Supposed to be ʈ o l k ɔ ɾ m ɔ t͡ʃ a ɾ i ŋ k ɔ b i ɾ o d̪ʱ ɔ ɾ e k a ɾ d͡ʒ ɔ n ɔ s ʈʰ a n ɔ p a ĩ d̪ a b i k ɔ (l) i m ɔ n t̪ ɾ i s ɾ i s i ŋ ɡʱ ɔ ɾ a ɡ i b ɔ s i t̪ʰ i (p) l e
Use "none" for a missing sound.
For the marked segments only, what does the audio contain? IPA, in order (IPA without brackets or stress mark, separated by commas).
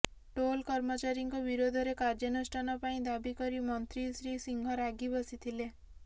ɾ, none